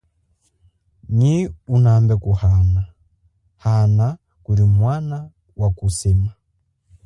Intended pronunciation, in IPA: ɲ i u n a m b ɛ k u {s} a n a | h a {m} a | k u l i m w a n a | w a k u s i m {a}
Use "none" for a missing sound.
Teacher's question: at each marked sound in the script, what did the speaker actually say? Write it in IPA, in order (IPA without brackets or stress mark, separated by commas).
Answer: h, n, a